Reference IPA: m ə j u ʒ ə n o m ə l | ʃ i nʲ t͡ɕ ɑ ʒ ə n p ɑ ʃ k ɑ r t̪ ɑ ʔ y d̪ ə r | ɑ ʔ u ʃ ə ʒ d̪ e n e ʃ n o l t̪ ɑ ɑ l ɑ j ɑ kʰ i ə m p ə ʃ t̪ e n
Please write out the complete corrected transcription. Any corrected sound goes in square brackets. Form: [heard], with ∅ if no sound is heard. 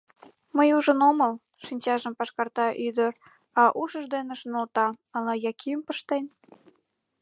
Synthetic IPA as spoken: m ə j u ʒ ə n o m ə l | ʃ i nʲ t͡ɕ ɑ ʒ ə [m] p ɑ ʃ k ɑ r t̪ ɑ ʔ y d̪ ə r | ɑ ʔ u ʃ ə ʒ d̪ e n e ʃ n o l t̪ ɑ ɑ l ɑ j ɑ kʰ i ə m p ə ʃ t̪ e n